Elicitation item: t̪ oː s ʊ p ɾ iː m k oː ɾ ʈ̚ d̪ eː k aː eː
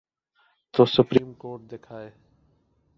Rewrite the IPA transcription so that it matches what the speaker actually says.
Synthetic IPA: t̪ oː s ʊ p ɾ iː m k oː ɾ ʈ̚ d̪ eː kʰ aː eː